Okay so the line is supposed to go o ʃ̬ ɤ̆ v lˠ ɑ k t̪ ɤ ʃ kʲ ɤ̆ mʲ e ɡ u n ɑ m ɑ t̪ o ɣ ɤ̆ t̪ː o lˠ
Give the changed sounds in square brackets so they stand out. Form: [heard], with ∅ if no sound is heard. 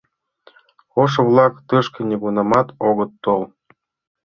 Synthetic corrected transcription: o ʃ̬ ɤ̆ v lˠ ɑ k t̪ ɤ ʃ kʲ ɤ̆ [nʲ] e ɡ u n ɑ m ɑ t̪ o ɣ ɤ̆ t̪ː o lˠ